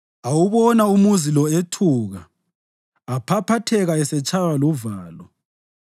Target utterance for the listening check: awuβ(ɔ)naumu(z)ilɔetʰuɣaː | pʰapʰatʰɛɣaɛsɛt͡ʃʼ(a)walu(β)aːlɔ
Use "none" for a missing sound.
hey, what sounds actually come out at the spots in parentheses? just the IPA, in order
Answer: ɔ, z, a, v

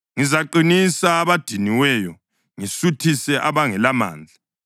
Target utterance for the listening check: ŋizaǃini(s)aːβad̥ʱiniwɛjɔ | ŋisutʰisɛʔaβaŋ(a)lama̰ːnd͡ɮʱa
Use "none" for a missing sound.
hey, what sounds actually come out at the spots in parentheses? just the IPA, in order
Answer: s, ɛ

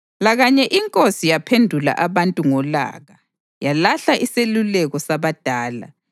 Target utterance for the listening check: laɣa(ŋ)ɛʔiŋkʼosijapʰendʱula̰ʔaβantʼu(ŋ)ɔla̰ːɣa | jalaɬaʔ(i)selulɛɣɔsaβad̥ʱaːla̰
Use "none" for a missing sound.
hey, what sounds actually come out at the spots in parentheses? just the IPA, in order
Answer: ɲ, ŋ, i

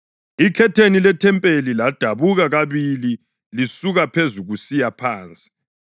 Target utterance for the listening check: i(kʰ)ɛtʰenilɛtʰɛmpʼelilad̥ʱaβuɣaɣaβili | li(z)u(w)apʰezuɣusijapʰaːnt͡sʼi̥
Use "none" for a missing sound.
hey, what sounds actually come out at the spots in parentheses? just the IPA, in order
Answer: kʰ, s, ɣ

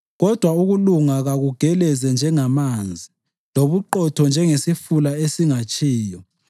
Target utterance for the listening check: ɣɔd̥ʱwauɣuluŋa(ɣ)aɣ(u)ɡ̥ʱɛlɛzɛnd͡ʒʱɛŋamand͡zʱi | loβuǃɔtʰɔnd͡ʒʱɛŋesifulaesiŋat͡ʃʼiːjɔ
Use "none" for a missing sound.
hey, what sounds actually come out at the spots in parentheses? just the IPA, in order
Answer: ɣ, u

